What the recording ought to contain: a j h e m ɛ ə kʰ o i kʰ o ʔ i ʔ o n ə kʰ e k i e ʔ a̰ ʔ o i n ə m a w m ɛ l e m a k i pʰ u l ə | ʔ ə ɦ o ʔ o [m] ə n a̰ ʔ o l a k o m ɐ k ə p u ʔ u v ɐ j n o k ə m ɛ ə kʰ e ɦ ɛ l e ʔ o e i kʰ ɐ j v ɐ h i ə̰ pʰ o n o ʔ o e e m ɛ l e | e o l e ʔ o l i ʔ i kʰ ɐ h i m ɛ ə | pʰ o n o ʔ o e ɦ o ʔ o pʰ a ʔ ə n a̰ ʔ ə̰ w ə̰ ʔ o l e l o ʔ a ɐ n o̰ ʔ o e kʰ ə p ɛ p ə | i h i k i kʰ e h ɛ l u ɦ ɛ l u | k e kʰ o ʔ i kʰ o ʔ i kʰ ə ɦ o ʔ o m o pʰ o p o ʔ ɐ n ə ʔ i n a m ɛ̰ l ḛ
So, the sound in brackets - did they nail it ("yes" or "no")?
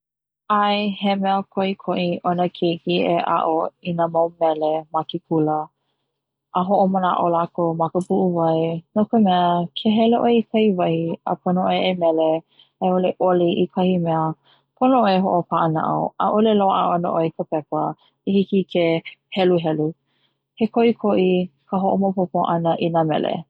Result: yes